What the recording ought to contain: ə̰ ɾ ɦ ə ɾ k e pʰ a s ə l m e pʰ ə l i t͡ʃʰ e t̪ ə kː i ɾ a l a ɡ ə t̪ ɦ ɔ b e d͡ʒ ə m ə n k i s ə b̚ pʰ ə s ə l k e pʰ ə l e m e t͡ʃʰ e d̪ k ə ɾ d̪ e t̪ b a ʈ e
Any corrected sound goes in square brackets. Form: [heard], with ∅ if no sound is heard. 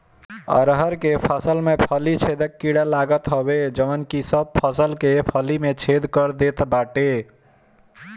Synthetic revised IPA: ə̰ ɾ ɦ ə ɾ k e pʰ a s ə l m e pʰ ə l i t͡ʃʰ e [d̪] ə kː i [ɽ] a l a ɡ ə t̪ ɦ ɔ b e d͡ʒ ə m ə n k i s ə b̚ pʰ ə s ə l k e pʰ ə l [i] m e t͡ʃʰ e d̪ k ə ɾ d̪ e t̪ b a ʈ e